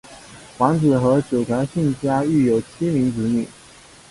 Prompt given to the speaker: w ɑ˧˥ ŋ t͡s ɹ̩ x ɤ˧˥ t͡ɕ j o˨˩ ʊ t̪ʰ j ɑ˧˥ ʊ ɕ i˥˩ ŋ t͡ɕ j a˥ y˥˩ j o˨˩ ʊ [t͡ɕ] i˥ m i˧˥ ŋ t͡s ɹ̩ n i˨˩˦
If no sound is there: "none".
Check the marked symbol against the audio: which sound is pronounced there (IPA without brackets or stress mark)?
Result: t͡ɕʰ